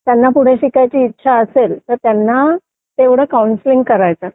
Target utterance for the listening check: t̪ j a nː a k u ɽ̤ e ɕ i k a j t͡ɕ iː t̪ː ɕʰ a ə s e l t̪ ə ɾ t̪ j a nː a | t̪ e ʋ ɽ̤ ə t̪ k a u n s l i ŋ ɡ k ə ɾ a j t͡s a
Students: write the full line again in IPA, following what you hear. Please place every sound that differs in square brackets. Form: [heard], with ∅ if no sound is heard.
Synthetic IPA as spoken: t̪ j a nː a [p] u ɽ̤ e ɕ i k a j t͡ɕ iː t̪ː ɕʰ a ə s e l t̪ ə ɾ t̪ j a nː a | t̪ e ʋ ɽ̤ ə [∅] k a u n s l i ŋ ɡ k ə ɾ a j t͡s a